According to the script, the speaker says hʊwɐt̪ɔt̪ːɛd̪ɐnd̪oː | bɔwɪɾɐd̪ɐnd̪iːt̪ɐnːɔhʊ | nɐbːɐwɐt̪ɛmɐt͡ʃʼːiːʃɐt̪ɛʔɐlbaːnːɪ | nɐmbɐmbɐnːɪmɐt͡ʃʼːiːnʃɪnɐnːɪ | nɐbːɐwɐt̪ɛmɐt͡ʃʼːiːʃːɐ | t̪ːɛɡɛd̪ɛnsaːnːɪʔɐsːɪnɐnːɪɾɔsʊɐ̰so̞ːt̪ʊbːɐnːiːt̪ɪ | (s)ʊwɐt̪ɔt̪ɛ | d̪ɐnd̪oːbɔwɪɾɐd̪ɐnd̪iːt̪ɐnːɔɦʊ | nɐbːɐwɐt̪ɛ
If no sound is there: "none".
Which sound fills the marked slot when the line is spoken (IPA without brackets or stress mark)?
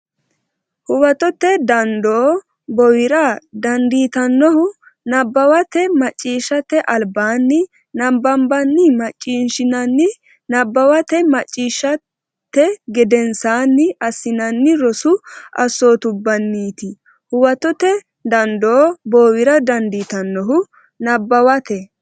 h